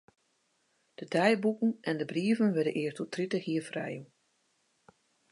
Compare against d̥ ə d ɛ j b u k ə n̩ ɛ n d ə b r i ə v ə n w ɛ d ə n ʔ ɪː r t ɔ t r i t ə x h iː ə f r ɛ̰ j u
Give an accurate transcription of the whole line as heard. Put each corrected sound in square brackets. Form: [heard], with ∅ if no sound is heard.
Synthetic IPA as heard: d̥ ə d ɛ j b u k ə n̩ ɛ n d ə b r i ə v ə n [ʋ] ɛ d ə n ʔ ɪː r t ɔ t r i t ə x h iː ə f r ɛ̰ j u